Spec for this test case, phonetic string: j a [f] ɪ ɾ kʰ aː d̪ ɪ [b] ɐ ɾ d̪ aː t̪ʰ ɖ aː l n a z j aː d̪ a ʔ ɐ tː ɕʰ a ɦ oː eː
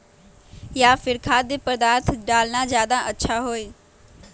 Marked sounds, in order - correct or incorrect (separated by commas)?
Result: correct, incorrect